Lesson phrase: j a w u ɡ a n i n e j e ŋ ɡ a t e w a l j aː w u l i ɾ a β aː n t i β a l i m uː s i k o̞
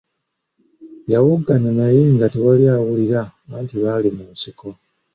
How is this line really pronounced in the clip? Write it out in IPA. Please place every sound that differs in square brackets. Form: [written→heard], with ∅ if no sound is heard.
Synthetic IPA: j a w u ɡ a n [i→a] n [e→a] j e ŋ ɡ a t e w a l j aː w u l i ɾ a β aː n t i β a l i m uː s i k o̞